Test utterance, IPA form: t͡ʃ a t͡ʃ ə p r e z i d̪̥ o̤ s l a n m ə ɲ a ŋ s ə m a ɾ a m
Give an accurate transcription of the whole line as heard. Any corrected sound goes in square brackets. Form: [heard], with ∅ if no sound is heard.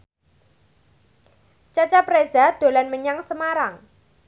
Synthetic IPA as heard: t͡ʃ a t͡ʃ [a] p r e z [a] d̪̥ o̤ [∅] l a n m ə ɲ a ŋ s ə m a ɾ a [ŋ]